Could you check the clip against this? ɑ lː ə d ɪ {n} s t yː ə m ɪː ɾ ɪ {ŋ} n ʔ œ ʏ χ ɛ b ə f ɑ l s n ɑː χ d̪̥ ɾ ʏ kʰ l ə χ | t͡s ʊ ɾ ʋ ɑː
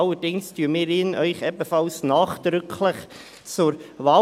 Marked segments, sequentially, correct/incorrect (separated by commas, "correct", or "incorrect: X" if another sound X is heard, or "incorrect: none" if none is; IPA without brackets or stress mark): incorrect: ŋ, incorrect: none